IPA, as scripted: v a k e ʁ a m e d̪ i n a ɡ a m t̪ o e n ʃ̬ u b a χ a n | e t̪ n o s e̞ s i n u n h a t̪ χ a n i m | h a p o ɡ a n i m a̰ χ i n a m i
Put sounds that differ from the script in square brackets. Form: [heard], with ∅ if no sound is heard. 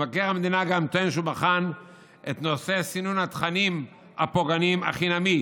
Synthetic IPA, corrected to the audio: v a k e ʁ a m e d̪ i n a ɡ a m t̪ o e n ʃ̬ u b a χ a n | e t̪ n o s e̞ s i n u n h a t̪ χ a n i m | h a p o ɡ a n i m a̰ χ i n a m i